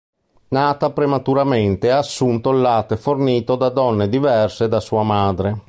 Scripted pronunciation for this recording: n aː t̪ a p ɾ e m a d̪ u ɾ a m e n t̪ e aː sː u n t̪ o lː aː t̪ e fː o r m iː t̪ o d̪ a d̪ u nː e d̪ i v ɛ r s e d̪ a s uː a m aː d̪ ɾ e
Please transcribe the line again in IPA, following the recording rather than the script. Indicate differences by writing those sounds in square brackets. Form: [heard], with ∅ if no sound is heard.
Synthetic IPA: n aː t̪ a p ɾ e m a [t̪] u ɾ a m e n t̪ e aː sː u n t̪ o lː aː t̪ e [f] o r [n] iː t̪ o d̪ a d̪ [ɔ] nː e d̪ i v ɛ r s e d̪ a s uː a m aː d̪ ɾ e